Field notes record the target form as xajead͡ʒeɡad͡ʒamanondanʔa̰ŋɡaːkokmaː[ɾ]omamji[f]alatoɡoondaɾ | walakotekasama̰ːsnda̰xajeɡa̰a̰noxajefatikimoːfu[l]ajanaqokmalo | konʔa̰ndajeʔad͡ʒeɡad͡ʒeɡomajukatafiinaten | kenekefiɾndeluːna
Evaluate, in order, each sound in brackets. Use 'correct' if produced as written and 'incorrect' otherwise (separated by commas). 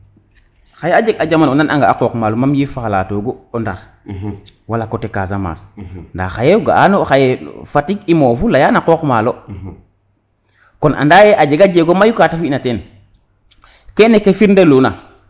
incorrect, correct, correct